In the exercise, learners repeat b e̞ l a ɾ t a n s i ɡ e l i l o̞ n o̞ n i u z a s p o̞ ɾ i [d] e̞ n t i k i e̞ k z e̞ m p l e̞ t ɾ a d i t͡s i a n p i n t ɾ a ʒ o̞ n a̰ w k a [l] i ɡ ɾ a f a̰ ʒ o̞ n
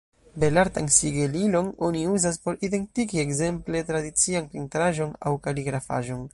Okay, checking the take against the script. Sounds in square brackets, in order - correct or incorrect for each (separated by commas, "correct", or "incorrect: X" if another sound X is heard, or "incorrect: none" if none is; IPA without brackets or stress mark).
correct, correct